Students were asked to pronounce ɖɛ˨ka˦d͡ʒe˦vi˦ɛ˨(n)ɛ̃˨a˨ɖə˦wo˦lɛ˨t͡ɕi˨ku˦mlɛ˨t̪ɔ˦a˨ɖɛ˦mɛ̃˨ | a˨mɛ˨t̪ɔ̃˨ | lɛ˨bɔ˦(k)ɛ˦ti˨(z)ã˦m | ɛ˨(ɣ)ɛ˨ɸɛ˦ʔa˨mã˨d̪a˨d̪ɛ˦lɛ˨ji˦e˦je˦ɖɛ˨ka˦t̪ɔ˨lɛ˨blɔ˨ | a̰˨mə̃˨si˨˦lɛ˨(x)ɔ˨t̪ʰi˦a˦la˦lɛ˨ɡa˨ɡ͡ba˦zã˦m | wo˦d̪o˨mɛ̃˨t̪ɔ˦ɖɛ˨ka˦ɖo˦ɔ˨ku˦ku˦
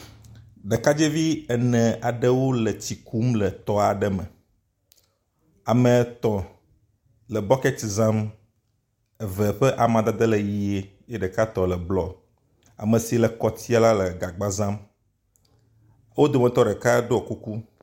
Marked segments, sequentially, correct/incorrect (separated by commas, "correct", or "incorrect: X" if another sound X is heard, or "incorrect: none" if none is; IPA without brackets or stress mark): correct, correct, correct, incorrect: v, incorrect: k